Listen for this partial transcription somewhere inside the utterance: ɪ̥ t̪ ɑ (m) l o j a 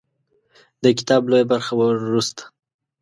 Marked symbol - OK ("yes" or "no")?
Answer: no